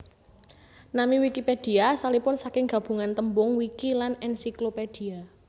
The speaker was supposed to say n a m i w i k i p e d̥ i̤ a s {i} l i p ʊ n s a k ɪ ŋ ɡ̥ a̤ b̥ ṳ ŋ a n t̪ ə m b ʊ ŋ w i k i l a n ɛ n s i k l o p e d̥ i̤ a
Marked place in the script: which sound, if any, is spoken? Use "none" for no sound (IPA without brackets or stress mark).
a